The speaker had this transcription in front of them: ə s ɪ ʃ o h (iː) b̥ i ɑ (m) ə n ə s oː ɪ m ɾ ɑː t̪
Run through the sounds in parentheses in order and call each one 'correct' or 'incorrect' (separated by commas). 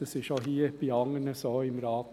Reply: correct, incorrect